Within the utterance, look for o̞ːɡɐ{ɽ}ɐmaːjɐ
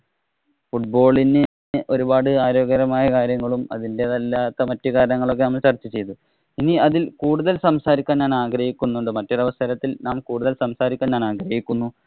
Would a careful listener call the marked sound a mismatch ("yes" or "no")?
yes